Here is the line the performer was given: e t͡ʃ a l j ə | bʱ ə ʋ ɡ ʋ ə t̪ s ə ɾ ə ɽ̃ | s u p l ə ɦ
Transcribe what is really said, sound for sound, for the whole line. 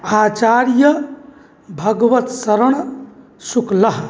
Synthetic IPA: a t͡ʃ a ɾ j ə | bʱ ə ɡ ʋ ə t̪ s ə ɾ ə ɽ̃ | s u k l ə ɦ